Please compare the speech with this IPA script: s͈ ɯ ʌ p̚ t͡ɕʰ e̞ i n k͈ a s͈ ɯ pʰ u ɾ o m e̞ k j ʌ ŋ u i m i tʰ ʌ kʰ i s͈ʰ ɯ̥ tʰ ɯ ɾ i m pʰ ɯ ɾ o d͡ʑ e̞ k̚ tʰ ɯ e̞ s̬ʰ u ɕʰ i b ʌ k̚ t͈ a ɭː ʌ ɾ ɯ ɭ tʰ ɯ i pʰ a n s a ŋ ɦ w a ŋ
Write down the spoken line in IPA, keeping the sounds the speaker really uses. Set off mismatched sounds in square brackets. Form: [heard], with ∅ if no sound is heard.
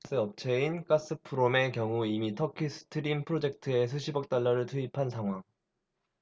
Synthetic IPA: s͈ ɯ ʌ p̚ t͡ɕʰ e̞ i n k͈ a s͈ ɯ pʰ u ɾ o m e̞ k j ʌ ŋ u i m i tʰ ʌ kʰ i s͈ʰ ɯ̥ tʰ ɯ ɾ i m pʰ ɯ ɾ o d͡ʑ e̞ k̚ tʰ ɯ e̞ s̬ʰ u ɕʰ i b ʌ k̚ t͈ a ɭː ʌ ɾ ɯ ɭ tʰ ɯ i pʰ a n s a ŋ ɦ w a ŋ